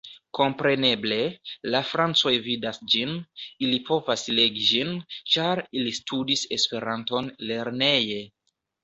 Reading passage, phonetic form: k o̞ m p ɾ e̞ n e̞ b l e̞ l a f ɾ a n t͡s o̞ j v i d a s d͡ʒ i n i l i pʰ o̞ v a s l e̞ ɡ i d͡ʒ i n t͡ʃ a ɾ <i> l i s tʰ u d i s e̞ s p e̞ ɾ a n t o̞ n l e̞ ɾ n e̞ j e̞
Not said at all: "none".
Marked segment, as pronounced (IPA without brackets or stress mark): i